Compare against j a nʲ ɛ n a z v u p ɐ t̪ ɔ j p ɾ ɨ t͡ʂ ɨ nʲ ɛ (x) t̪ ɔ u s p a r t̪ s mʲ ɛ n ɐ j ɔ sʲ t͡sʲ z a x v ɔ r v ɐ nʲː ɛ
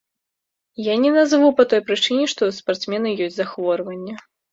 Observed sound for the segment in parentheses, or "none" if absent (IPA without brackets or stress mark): ʂ